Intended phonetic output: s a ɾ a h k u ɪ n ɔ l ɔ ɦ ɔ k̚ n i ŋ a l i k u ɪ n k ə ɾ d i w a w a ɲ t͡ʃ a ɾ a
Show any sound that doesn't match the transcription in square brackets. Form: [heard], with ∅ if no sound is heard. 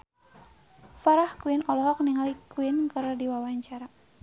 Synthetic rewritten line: [f] a ɾ a h k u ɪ n ɔ l ɔ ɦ ɔ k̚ n i ŋ a l i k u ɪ n k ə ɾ d i w a w a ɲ t͡ʃ a ɾ a